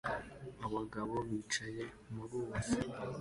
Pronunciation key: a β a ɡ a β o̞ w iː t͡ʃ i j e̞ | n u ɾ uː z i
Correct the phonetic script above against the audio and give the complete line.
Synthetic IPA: a β a ɡ a β o̞ β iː t͡ʃ a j e̞ | m u ɾ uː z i